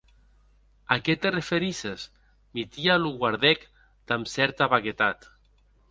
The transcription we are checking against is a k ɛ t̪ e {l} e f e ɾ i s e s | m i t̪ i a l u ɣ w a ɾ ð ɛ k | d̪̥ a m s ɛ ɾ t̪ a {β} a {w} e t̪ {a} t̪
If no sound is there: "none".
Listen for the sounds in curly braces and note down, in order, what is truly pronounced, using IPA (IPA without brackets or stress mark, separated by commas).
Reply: r, β, ɣ, a